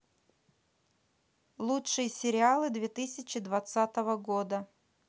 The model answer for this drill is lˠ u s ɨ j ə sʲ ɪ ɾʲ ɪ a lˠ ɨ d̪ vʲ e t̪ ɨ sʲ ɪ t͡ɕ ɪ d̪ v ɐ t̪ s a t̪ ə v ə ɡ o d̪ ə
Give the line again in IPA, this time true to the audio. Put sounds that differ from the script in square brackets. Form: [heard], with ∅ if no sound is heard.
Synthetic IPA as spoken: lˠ u [ʂ] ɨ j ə sʲ ɪ ɾʲ ɪ a lˠ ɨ d̪ vʲ e t̪ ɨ sʲ ɪ t͡ɕ ɪ d̪ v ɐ t̪ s a t̪ ə v ə ɡ o d̪ ə